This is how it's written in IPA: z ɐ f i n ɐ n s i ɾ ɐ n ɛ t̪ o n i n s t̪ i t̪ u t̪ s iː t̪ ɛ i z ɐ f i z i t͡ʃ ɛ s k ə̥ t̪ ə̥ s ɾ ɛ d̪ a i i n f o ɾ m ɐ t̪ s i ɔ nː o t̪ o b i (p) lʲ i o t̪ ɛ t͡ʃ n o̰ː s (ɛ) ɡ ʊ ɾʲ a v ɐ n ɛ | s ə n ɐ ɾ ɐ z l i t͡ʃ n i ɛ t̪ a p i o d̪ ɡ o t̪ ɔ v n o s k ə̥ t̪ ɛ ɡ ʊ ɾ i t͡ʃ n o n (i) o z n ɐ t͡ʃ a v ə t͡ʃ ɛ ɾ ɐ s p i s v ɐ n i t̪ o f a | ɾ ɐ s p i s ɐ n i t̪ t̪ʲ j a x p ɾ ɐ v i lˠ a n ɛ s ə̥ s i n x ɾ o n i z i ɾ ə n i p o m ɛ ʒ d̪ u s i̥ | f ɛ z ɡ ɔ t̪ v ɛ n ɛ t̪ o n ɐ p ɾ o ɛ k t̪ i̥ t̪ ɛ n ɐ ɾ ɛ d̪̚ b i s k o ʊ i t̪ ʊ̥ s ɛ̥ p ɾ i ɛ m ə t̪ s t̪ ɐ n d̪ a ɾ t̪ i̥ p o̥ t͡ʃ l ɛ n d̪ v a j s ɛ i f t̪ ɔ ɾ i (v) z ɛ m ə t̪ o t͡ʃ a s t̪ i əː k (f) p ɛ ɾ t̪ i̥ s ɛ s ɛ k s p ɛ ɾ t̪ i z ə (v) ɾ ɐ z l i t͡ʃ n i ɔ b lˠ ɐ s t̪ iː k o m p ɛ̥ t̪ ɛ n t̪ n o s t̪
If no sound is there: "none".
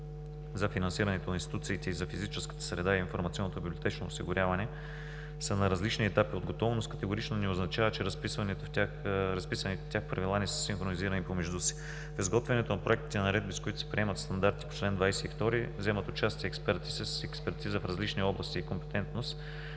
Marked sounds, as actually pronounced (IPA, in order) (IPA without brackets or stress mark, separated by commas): b, i, ɛ, v, s, f